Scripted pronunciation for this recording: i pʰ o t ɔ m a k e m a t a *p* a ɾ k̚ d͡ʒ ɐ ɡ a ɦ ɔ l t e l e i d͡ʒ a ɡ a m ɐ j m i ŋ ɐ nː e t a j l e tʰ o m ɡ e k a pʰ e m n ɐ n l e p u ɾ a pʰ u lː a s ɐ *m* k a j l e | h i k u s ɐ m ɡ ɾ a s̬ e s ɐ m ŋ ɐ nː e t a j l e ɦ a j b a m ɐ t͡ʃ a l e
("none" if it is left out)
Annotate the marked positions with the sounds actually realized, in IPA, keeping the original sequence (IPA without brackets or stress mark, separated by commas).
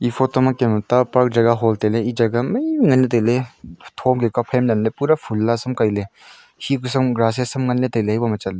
p, m